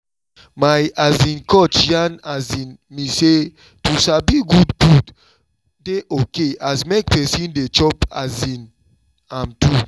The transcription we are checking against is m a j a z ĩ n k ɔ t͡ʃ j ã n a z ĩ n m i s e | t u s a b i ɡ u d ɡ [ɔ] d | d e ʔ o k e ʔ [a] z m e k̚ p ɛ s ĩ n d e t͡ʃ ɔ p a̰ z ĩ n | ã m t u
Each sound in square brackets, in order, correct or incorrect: incorrect: u, correct

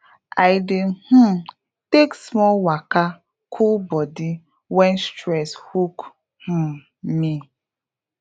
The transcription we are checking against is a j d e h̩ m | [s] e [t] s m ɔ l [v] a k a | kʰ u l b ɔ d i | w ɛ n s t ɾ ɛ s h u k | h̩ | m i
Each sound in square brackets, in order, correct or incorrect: incorrect: t, incorrect: k, incorrect: w

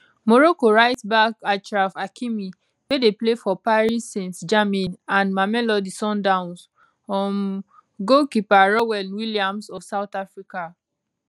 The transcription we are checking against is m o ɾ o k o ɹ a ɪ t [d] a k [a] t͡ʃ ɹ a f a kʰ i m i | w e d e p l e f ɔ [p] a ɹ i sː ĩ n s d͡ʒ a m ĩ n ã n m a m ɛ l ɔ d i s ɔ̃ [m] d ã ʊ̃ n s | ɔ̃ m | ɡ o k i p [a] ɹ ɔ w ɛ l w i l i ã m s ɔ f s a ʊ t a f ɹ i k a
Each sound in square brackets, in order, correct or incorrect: incorrect: b, correct, correct, incorrect: n, correct

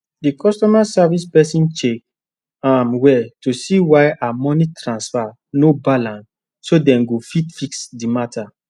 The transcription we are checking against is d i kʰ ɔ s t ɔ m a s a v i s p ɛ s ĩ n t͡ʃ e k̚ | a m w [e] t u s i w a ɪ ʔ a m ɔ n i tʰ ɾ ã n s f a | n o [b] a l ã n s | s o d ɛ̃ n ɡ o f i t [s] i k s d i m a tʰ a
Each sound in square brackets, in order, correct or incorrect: incorrect: ɛ, correct, incorrect: f

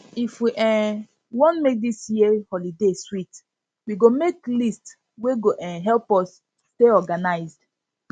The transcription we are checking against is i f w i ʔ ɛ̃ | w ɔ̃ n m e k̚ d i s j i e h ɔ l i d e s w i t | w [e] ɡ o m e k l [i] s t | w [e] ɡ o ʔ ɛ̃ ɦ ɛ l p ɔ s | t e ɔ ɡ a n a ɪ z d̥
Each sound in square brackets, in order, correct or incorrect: incorrect: i, correct, correct

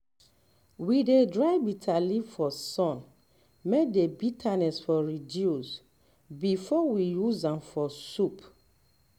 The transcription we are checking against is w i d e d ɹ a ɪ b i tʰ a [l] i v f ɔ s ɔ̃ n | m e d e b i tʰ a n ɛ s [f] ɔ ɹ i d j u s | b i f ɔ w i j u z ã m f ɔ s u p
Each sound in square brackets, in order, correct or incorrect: correct, correct

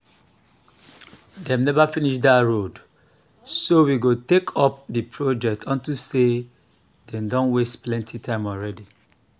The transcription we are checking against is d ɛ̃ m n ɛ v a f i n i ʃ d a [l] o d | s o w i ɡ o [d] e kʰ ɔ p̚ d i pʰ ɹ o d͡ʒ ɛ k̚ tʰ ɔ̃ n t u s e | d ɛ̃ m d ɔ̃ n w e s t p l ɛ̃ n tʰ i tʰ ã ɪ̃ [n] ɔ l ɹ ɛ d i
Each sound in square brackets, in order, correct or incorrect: incorrect: ɹ, incorrect: t, incorrect: m

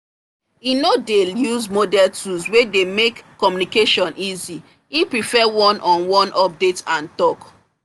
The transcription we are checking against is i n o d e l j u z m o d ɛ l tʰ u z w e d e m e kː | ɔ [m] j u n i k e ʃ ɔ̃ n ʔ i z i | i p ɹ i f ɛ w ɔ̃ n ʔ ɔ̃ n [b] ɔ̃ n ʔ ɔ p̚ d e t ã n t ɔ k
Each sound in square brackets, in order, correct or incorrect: correct, incorrect: w

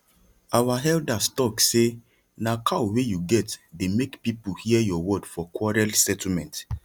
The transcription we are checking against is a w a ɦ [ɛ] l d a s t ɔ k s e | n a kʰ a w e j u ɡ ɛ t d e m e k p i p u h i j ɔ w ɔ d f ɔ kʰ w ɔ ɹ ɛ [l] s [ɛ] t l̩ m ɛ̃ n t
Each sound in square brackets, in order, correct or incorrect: correct, correct, correct

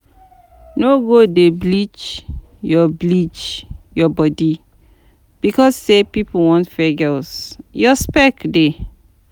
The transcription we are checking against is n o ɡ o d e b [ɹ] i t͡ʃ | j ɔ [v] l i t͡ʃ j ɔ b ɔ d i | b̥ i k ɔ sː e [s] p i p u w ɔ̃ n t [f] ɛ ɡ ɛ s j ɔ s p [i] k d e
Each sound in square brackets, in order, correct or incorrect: incorrect: l, incorrect: b, incorrect: none, correct, incorrect: ɛ

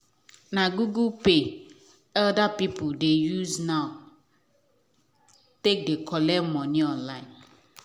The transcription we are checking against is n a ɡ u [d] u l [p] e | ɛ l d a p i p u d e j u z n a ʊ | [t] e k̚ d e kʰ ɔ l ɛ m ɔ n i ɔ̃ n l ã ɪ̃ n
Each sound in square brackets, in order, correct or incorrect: incorrect: ɡ, correct, correct

